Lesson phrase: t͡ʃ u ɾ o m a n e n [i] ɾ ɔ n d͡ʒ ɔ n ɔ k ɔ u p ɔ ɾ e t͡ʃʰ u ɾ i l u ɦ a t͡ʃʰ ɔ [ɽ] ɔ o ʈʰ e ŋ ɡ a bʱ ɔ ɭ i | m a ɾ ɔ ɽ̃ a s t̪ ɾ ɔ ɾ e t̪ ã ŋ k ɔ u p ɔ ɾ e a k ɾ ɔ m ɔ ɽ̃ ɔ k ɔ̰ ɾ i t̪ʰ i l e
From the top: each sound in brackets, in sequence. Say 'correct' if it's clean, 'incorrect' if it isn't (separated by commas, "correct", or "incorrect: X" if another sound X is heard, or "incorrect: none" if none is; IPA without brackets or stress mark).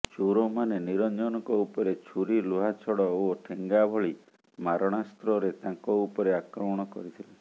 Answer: correct, correct